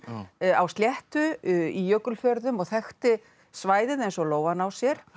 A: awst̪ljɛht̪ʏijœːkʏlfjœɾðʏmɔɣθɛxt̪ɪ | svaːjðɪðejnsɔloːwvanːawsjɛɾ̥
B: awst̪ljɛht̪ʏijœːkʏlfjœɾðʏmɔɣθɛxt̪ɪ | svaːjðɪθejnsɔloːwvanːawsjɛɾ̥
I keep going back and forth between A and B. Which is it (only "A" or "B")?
A